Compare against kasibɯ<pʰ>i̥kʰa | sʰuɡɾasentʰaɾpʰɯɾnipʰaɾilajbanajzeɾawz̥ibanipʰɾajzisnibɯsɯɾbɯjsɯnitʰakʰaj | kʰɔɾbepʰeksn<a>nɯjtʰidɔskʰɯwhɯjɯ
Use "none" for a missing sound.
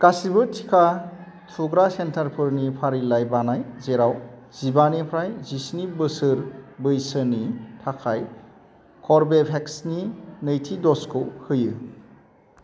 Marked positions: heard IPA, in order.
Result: tʰ, i

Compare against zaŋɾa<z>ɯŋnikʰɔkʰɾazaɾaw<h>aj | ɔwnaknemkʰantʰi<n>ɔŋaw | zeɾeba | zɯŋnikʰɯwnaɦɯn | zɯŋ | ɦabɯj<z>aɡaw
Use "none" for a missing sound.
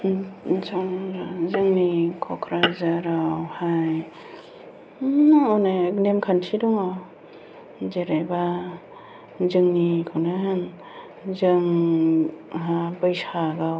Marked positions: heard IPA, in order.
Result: z, h, d, s

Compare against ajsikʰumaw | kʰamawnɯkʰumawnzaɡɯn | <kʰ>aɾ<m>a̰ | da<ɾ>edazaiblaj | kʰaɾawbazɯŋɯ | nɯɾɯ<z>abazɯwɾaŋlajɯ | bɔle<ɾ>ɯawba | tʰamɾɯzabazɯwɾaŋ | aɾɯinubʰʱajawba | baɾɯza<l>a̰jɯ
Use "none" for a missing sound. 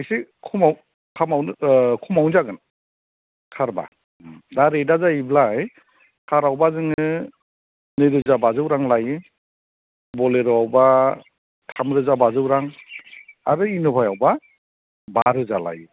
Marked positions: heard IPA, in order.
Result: kʰ, b, ɾ, z, ɾ, l

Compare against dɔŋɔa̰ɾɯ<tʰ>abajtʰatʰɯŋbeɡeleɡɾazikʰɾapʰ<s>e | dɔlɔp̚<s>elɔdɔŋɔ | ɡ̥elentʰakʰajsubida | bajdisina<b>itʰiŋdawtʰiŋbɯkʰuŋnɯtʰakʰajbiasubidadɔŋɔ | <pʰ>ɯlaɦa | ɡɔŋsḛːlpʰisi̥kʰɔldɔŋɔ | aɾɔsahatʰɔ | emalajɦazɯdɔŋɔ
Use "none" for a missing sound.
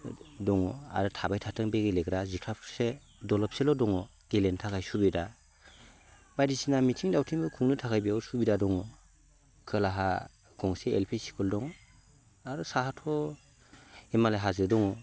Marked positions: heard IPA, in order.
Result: tʰ, s, s, m, kʰ

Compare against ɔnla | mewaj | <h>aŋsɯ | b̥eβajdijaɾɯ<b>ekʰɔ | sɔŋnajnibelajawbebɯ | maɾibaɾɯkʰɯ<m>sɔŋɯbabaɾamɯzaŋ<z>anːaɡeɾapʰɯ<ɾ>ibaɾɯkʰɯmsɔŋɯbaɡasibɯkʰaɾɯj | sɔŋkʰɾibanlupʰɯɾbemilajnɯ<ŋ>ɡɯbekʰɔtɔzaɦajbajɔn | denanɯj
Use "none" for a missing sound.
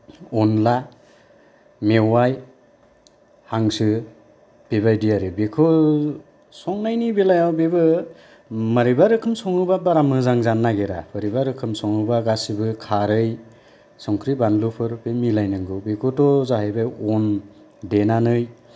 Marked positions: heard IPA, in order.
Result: h, b, m, z, ɾ, ŋ

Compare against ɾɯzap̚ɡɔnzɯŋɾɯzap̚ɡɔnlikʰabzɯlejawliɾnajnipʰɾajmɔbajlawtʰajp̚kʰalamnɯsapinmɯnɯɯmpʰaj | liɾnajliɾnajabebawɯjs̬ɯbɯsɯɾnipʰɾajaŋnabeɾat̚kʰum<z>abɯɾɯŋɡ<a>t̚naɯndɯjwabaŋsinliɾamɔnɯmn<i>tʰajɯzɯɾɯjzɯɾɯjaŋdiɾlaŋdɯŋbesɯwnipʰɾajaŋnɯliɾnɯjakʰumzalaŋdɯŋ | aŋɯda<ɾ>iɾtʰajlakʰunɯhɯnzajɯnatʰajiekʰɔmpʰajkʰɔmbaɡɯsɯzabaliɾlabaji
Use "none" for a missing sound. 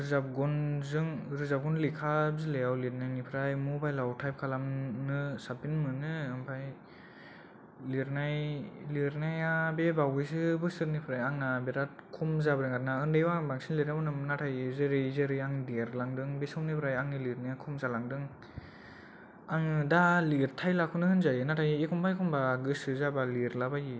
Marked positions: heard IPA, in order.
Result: z, a, a, l

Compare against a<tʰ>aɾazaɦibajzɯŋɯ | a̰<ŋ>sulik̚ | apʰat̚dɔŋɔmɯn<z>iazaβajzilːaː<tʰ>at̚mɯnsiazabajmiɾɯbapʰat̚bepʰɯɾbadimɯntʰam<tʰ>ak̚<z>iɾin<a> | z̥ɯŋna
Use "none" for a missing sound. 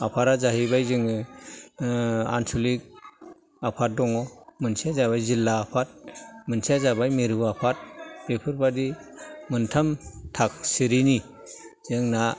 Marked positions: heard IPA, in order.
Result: pʰ, n, s, pʰ, tʰ, s, i

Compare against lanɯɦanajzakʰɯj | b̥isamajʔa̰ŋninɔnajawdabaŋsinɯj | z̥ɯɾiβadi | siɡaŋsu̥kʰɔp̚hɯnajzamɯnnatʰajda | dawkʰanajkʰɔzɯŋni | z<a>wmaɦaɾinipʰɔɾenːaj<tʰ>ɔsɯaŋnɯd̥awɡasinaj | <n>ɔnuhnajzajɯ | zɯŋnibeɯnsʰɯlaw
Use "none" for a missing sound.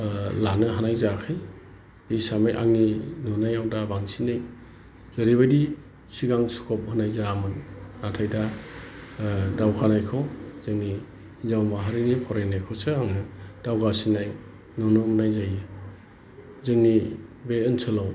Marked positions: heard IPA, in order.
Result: a, kʰ, n

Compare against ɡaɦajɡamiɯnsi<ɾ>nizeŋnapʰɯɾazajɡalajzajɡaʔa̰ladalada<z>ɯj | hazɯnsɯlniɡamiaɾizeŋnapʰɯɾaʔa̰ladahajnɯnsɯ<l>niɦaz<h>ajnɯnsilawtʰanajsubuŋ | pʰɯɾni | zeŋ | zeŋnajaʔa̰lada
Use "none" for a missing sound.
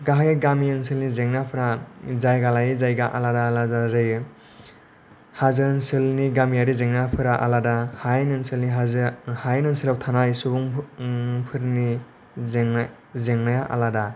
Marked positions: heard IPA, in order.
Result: l, z, l, h

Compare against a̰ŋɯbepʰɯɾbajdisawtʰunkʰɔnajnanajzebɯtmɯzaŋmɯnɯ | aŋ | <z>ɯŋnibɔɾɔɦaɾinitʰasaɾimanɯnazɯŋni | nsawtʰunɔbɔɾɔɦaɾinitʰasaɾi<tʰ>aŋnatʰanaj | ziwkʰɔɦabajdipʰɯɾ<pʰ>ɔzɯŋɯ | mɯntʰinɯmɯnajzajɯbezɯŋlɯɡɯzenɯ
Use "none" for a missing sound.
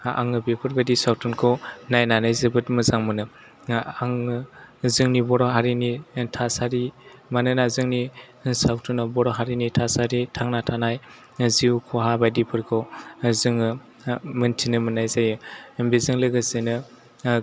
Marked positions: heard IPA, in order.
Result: z, tʰ, kʰ

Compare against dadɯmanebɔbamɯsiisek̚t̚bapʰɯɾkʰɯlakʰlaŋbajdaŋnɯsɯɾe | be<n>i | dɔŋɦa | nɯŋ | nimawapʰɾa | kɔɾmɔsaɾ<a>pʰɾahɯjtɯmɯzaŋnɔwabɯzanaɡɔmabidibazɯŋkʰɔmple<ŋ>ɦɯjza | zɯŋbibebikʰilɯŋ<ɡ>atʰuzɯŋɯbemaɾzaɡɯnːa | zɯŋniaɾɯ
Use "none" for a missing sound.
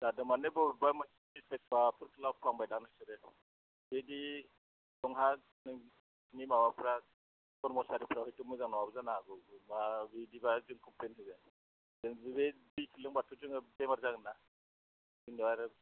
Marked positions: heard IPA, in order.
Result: d, i, n, b

